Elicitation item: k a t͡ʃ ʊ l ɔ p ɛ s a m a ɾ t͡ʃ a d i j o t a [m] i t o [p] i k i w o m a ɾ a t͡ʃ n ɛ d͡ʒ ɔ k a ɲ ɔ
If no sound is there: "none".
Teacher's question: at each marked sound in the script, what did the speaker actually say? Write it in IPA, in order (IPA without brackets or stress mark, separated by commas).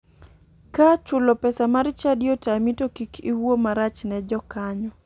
m, k